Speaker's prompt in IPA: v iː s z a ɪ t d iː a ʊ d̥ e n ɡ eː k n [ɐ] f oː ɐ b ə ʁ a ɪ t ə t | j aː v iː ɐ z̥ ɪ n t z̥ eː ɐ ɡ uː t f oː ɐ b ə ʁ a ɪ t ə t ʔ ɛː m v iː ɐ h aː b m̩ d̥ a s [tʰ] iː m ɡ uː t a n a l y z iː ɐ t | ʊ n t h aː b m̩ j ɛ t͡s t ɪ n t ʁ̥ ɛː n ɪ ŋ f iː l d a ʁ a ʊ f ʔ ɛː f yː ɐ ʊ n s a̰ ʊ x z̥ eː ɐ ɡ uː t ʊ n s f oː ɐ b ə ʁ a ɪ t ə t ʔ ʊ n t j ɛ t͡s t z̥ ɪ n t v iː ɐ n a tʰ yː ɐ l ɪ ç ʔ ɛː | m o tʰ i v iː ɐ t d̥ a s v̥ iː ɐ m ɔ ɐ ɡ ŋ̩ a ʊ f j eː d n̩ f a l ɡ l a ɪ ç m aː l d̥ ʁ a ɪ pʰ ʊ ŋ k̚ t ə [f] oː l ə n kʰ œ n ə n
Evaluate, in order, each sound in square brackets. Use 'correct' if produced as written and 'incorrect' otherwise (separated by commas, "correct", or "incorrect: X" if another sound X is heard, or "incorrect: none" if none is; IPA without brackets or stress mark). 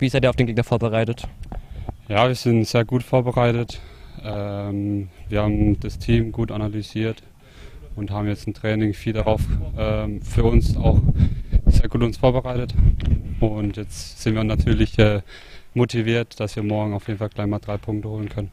correct, correct, incorrect: h